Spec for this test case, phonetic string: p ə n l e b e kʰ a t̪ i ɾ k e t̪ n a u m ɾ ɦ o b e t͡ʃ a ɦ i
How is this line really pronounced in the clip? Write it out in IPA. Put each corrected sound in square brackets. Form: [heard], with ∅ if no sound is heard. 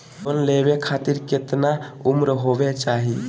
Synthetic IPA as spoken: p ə n l e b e kʰ a t̪ i ɾ k e t̪ n a u m ɾ ɦ o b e t͡ʃ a ɦ i